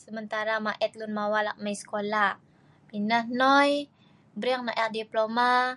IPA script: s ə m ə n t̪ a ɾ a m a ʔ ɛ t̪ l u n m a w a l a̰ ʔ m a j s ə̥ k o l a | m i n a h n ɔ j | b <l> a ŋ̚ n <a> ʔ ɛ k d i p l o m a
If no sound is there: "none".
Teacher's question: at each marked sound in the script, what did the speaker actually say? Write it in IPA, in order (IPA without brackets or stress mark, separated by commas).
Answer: ɾ, a